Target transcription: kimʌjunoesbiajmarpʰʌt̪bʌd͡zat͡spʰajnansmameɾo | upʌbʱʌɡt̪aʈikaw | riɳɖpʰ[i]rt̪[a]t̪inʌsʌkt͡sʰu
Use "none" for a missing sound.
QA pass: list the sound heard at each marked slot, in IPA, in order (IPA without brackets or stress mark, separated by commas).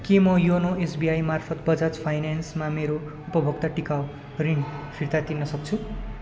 i, a